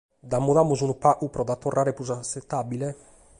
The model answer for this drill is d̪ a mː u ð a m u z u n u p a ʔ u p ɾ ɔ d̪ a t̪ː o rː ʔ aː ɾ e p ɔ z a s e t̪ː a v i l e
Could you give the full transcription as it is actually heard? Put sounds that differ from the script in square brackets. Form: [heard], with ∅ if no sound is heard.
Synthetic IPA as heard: d̪ a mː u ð a m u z u n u p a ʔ u p ɾ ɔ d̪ a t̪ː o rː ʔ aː ɾ e p [u] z a s e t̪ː a [b] i l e